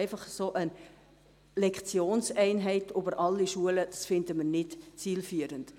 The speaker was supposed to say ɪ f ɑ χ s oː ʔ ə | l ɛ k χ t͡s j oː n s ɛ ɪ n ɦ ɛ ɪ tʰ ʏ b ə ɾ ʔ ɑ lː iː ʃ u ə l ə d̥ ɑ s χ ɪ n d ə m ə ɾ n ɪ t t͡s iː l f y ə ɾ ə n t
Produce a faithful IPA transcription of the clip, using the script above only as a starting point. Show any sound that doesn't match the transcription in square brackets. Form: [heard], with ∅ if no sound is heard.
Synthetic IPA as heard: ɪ f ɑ χ s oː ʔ ə | l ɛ k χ t͡s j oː n s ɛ ɪ n ɦ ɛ ɪ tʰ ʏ b ə ɾ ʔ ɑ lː [i] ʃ u ə l ə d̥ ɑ s [f] ɪ n d ə m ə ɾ n ɪ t t͡s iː l f y ə ɾ ə n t